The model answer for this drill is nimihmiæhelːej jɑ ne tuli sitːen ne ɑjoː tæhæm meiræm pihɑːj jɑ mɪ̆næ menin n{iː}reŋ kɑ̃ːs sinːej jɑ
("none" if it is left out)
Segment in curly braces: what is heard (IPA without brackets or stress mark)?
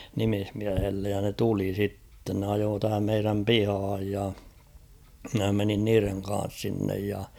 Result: iː